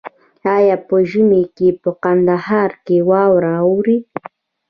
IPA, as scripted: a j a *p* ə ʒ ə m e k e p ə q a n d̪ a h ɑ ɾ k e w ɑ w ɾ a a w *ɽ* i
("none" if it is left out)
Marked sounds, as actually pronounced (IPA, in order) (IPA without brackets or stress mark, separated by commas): p, ɾ